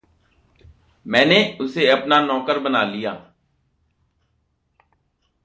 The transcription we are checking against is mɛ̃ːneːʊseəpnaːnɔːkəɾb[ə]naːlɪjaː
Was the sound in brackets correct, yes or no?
yes